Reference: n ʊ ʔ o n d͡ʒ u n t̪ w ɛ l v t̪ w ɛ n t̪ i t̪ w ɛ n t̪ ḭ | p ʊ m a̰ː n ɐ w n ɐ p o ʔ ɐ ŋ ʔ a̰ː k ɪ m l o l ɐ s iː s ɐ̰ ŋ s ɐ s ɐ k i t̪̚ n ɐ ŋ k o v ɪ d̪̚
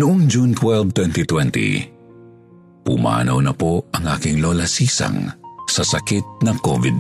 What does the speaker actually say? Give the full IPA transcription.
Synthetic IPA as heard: n ʊ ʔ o ŋ d͡ʒ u n t̪ w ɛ l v t̪ w ɛ n t̪ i t̪ w ɛ n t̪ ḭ | p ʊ m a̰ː n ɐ w n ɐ p o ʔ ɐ ŋ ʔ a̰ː k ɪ ŋ l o l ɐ s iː s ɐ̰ ŋ s ɐ s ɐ k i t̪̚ n ɐ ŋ k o v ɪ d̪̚